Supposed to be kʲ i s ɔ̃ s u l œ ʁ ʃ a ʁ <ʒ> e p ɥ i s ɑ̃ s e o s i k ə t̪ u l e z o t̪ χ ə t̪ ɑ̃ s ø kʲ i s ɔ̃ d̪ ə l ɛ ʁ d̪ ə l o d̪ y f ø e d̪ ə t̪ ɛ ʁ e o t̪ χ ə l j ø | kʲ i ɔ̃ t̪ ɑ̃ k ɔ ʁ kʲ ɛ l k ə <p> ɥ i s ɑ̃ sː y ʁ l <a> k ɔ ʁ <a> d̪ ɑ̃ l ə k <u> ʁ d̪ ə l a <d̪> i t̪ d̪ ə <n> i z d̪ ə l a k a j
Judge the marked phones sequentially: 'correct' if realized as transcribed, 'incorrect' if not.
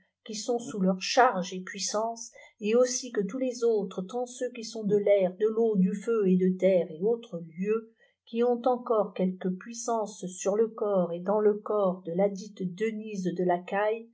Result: correct, correct, incorrect, incorrect, incorrect, correct, correct

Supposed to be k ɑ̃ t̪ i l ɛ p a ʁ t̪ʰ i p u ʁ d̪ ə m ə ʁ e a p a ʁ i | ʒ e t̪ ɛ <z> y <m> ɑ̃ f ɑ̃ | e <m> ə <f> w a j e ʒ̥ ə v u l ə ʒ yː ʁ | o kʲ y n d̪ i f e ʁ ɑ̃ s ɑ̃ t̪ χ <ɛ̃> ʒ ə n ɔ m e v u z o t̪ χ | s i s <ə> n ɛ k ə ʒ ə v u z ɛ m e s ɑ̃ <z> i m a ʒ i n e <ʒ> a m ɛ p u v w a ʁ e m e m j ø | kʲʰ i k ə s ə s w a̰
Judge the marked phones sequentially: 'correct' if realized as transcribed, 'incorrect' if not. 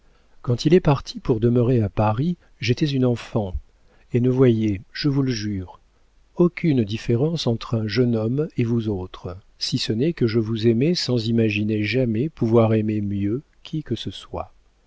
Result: correct, incorrect, incorrect, incorrect, correct, correct, correct, correct

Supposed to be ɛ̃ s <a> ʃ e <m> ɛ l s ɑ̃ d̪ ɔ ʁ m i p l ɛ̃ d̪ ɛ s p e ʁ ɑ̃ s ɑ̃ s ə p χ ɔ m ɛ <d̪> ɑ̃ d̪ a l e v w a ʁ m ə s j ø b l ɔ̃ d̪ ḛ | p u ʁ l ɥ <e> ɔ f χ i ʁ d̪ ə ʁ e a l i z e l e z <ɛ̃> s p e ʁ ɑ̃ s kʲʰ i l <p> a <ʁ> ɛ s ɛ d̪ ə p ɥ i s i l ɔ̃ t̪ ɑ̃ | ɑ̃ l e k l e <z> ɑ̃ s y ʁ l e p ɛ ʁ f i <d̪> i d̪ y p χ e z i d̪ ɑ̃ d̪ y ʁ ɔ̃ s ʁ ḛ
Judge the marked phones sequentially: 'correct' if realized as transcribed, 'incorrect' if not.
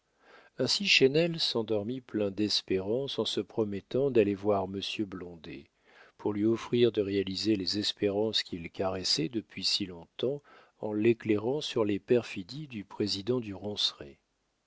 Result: incorrect, incorrect, incorrect, incorrect, incorrect, incorrect, correct, incorrect, correct

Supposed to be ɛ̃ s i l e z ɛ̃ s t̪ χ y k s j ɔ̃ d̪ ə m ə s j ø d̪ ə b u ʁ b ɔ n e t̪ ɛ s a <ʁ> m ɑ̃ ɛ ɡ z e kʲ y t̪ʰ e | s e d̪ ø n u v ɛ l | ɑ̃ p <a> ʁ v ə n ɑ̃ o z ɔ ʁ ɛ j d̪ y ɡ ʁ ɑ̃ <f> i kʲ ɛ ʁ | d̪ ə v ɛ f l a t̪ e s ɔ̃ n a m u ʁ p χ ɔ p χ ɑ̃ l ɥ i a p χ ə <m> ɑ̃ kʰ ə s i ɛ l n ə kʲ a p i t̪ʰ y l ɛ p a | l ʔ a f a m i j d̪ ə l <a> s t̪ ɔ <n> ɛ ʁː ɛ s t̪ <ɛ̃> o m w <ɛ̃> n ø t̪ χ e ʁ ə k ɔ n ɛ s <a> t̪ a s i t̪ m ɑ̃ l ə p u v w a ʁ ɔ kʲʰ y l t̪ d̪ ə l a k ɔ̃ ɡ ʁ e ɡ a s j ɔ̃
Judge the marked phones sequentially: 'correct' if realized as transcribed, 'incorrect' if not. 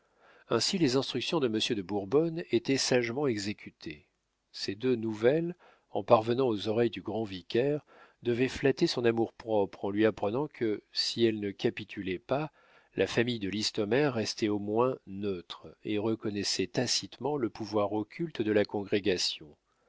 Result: incorrect, correct, incorrect, incorrect, incorrect, incorrect, incorrect, correct, incorrect

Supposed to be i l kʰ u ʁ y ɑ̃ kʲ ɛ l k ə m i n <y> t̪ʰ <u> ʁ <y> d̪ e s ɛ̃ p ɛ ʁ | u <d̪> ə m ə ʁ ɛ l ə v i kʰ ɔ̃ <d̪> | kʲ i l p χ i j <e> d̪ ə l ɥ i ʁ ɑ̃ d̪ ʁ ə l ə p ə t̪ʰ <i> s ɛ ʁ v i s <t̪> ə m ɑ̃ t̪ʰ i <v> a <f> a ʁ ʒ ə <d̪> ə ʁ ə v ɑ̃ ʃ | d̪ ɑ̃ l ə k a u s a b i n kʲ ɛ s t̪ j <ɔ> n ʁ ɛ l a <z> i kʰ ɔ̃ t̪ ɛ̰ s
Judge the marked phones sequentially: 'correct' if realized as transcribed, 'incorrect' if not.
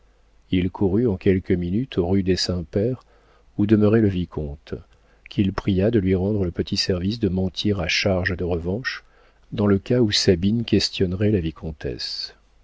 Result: correct, incorrect, correct, correct, incorrect, incorrect, correct, incorrect, incorrect, incorrect, correct, correct, incorrect

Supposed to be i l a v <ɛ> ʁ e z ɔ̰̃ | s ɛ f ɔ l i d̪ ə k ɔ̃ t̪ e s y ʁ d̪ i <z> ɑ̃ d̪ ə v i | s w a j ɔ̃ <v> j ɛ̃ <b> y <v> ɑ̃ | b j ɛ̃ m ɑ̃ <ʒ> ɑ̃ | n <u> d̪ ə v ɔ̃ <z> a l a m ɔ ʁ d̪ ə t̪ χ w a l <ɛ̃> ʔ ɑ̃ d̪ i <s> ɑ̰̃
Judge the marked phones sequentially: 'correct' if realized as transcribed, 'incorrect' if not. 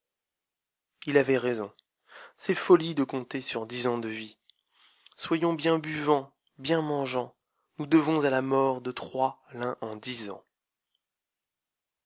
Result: correct, correct, incorrect, correct, correct, correct, correct, correct, correct, incorrect

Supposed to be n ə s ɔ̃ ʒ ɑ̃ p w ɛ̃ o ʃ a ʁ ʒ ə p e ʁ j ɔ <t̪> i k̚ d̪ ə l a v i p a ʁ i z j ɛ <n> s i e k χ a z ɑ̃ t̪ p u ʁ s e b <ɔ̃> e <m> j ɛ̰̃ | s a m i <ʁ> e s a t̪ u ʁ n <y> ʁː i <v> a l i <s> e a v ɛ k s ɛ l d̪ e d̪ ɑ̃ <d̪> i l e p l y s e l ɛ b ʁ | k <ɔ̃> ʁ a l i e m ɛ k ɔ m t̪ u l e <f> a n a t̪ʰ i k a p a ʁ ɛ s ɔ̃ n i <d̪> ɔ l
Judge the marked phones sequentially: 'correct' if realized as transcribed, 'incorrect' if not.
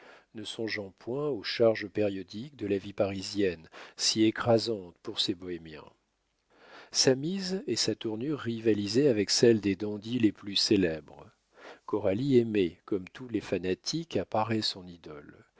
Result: incorrect, correct, incorrect, correct, incorrect, correct, correct, incorrect, correct, incorrect, correct, correct

